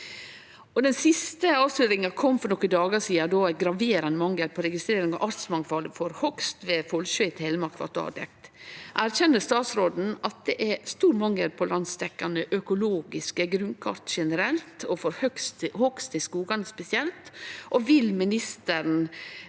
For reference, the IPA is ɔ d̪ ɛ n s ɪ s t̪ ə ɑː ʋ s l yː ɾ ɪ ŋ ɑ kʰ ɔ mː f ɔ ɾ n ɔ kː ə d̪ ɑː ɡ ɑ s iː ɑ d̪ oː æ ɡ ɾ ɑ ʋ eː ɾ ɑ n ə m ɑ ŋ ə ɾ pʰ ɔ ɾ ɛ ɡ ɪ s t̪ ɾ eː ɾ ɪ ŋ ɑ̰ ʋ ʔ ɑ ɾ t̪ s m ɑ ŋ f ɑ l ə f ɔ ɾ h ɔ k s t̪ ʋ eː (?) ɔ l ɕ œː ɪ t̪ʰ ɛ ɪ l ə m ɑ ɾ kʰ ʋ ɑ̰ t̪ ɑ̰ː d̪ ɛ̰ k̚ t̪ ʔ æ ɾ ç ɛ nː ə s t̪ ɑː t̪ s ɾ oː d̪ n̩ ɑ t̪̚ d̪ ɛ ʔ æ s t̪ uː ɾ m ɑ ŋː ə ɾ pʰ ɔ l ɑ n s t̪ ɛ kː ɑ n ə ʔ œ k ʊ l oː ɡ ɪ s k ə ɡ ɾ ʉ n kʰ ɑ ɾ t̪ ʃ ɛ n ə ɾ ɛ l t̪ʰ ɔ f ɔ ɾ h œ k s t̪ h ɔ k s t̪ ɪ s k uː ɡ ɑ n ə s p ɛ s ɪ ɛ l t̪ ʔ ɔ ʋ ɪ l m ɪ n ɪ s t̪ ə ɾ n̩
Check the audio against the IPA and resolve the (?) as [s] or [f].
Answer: f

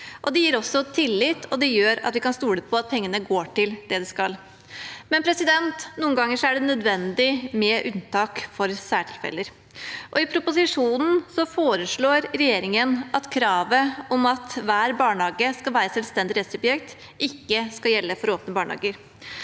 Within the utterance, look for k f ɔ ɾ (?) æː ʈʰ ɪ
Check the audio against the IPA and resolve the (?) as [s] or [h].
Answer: s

